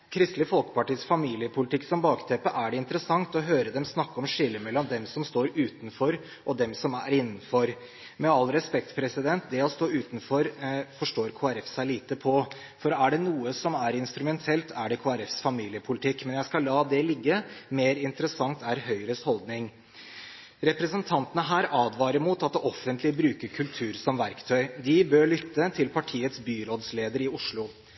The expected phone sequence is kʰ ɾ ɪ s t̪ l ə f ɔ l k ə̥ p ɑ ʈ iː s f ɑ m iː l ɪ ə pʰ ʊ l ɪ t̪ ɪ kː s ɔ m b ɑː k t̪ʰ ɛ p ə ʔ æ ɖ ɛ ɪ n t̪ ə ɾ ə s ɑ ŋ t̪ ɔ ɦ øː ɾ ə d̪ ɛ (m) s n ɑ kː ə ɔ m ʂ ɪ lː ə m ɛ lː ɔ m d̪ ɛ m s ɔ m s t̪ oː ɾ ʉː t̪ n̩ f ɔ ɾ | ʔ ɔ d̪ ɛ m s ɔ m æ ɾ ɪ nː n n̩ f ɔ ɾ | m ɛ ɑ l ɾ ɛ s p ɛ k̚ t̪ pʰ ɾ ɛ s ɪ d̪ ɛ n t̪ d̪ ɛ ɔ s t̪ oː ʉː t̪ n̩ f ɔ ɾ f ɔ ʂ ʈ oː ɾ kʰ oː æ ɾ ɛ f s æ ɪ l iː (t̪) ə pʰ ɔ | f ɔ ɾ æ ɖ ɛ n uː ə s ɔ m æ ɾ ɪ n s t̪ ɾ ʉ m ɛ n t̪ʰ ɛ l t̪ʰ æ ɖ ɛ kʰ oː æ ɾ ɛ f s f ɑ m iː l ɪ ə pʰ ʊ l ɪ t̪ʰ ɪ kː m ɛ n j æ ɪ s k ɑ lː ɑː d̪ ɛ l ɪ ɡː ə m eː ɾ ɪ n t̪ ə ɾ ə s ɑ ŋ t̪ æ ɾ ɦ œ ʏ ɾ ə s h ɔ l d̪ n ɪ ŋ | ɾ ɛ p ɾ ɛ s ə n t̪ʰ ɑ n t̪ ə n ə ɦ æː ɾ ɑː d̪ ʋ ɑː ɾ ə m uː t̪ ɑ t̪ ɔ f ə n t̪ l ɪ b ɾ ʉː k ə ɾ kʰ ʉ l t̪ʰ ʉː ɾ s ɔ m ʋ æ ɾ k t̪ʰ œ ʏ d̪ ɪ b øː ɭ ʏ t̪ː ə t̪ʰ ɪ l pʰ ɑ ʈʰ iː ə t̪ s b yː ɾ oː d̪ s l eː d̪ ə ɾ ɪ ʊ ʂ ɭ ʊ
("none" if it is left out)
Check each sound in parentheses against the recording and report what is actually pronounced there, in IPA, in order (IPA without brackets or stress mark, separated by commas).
m, t̪